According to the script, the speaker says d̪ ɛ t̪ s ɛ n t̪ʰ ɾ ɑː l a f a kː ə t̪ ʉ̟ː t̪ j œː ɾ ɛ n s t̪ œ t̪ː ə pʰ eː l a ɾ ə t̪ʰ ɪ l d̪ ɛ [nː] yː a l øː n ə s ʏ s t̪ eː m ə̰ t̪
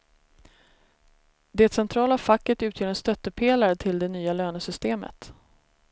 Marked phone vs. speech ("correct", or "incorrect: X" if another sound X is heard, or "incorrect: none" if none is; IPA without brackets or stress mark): incorrect: n